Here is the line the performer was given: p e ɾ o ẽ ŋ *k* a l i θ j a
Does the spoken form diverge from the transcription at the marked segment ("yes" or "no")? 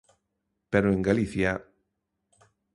yes